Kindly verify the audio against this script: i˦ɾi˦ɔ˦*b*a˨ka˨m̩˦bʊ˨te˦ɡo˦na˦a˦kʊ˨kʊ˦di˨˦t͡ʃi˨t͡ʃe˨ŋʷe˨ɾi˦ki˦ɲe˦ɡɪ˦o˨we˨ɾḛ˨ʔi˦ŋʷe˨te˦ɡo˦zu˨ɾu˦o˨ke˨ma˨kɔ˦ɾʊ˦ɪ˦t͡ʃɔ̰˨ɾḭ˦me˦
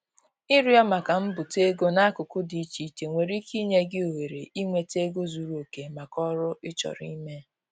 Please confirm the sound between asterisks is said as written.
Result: no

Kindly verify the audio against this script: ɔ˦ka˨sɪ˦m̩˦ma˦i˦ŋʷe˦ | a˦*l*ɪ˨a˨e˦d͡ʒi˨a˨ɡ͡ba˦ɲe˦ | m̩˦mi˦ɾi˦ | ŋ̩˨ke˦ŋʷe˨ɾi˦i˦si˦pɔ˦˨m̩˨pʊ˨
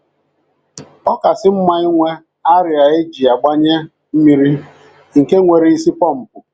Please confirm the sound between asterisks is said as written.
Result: no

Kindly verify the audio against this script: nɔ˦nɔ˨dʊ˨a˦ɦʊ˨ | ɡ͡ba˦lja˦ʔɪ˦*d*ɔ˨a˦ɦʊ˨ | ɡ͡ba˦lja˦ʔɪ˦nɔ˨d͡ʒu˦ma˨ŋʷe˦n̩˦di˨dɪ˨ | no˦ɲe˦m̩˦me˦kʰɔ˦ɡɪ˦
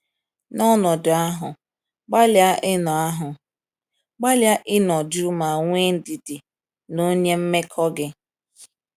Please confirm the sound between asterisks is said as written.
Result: no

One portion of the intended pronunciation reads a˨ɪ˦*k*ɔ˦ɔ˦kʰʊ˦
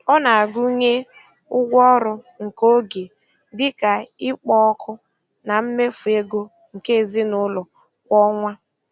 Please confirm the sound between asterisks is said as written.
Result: no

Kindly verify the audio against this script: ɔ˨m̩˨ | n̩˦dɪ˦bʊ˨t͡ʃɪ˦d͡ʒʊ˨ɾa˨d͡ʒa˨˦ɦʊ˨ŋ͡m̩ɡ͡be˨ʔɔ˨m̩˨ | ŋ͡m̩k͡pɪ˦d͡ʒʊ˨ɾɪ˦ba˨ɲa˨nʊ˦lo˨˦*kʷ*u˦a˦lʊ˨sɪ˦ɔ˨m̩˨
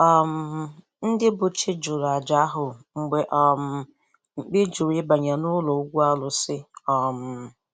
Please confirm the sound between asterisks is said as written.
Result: no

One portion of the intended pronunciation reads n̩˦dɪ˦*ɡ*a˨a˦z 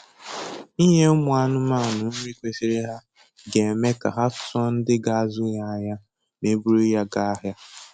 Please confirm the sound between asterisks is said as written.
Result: yes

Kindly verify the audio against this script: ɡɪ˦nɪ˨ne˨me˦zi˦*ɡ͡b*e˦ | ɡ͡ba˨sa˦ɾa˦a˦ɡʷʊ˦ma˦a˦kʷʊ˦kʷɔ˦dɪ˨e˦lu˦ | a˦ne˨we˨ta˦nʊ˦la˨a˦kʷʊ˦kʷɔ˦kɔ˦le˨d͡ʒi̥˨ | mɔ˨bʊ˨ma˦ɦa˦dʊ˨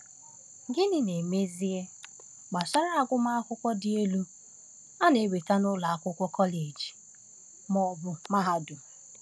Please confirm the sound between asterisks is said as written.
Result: no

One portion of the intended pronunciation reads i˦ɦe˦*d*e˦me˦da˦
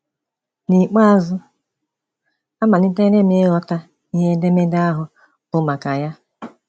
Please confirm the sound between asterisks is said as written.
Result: yes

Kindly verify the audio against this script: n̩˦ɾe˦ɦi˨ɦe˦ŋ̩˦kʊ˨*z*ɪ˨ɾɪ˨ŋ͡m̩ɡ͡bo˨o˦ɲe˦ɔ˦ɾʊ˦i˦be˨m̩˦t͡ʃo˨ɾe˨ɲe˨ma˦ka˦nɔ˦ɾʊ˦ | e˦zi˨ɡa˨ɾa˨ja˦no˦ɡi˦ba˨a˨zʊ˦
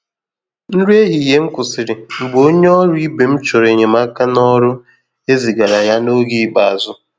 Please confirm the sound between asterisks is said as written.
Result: no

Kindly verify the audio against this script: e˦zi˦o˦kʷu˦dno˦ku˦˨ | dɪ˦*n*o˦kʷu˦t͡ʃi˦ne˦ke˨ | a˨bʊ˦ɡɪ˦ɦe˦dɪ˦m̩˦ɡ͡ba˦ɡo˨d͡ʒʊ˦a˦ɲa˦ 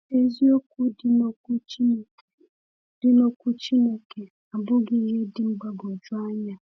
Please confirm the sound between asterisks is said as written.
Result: yes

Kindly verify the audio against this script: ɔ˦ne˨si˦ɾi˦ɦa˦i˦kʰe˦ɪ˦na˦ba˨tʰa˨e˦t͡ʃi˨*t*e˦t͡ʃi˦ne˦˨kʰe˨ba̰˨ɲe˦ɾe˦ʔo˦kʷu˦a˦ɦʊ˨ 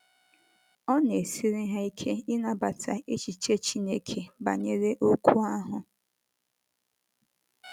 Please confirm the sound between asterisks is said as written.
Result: no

